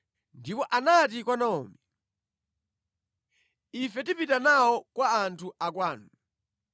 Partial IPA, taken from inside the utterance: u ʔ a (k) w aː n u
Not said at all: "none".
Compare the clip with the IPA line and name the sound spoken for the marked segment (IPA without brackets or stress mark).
k